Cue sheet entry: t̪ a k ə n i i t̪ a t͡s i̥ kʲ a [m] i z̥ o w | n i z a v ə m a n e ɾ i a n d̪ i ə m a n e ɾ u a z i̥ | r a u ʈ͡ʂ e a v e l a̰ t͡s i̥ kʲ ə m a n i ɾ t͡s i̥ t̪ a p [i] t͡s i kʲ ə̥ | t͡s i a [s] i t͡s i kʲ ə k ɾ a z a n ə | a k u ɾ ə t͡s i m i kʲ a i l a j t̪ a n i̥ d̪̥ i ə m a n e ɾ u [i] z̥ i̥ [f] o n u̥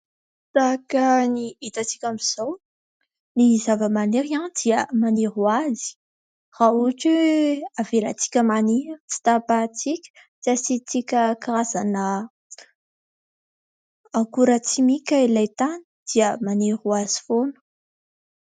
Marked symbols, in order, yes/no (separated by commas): yes, no, yes, no, yes